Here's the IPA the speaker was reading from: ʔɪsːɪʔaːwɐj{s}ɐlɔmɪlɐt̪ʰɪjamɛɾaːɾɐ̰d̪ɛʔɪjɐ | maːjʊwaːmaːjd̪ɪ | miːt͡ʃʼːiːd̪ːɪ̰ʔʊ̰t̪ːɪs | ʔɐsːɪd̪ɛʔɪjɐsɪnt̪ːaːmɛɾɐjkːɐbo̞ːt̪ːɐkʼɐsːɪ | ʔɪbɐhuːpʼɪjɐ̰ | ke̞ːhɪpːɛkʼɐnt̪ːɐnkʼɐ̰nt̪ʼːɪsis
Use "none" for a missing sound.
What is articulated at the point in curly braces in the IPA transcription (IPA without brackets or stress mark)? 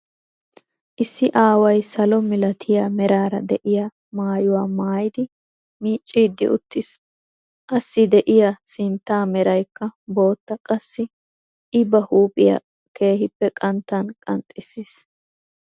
s